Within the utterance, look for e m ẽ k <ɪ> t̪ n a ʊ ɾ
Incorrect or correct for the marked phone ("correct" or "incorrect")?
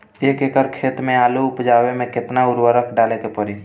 correct